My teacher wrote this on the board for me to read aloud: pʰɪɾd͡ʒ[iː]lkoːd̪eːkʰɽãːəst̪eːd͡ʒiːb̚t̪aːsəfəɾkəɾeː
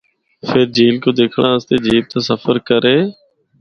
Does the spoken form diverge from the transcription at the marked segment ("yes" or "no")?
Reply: no